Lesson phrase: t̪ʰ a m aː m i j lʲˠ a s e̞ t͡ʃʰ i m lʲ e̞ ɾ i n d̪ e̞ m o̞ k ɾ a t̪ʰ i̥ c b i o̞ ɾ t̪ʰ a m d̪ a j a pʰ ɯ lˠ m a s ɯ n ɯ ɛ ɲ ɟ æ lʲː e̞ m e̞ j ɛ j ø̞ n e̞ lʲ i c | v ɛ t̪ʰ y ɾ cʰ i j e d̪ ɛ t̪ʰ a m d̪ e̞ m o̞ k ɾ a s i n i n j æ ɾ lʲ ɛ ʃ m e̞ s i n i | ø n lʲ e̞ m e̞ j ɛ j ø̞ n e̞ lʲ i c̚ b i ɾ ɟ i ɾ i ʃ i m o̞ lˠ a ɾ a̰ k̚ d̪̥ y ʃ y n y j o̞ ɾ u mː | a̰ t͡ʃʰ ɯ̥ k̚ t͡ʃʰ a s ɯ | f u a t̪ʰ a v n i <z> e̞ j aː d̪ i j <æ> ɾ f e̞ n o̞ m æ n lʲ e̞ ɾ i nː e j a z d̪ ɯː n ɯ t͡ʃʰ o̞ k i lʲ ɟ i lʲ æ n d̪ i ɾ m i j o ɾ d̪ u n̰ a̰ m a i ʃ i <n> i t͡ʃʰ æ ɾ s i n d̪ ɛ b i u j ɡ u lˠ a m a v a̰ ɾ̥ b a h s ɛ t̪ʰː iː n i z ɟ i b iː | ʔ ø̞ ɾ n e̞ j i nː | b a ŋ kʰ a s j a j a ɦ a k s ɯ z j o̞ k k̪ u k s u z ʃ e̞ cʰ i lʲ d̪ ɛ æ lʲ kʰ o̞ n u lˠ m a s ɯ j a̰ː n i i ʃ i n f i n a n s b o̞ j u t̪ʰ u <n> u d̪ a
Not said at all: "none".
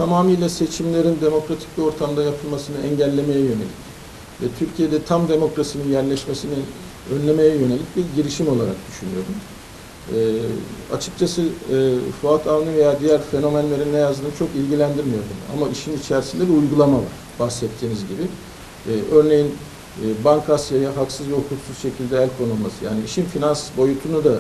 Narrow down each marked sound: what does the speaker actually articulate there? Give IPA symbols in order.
v, æ, n, n

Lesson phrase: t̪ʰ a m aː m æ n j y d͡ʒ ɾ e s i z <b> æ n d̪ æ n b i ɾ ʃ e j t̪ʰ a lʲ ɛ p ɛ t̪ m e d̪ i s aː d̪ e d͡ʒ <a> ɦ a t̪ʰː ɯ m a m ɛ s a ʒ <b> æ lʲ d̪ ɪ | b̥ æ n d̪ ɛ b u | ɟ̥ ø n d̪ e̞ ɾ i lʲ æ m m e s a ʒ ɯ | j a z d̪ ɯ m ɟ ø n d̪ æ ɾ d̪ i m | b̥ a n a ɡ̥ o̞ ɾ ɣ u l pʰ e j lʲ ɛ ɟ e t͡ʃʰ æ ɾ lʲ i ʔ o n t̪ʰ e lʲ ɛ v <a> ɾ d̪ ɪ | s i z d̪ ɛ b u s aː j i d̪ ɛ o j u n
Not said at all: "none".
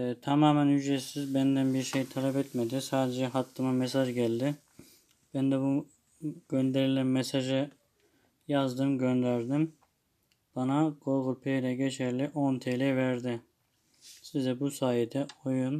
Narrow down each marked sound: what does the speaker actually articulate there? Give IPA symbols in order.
b, ɛ, ɟ, æ

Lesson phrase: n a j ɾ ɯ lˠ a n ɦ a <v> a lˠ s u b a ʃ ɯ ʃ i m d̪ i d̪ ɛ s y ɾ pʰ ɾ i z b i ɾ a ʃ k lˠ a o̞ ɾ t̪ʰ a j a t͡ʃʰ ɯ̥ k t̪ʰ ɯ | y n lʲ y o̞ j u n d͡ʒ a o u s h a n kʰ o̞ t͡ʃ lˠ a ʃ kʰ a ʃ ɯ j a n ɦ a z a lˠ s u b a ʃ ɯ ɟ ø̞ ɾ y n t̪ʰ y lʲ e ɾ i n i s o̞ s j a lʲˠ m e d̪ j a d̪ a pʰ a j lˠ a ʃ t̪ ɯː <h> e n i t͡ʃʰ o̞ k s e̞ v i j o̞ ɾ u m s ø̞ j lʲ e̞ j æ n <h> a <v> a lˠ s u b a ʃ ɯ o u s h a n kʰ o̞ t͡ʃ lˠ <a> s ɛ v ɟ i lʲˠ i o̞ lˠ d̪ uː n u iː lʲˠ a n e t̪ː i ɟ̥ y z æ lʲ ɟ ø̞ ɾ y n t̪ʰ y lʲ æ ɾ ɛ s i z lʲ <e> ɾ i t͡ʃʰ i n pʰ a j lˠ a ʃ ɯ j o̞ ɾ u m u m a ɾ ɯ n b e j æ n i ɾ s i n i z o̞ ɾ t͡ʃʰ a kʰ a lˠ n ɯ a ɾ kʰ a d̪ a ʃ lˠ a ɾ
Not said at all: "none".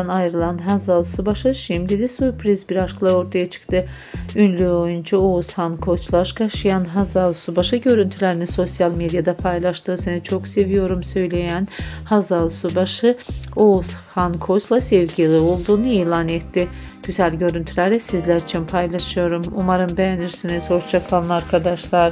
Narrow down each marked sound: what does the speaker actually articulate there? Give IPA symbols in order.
z, s, h, z, a, æ

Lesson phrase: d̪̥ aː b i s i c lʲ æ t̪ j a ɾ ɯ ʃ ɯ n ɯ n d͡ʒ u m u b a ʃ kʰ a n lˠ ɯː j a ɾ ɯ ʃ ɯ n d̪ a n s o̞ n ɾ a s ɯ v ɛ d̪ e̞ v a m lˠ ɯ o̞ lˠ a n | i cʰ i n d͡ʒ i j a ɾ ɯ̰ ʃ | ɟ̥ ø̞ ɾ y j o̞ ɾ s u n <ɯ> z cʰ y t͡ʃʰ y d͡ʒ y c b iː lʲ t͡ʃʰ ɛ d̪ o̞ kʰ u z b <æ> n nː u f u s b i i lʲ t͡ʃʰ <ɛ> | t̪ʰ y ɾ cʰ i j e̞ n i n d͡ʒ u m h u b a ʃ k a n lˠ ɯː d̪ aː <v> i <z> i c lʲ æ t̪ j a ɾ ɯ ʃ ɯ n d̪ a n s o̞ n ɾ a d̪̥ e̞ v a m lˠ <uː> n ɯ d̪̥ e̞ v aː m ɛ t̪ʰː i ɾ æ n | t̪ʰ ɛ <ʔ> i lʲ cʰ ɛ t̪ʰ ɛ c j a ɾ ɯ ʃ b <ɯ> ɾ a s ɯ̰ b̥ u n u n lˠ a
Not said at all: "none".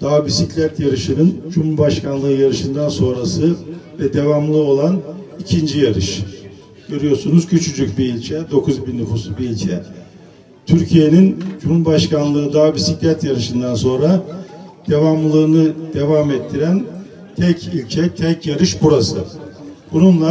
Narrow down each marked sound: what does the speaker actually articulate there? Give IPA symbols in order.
u, i, ɛ, b, s, ɯː, c, u

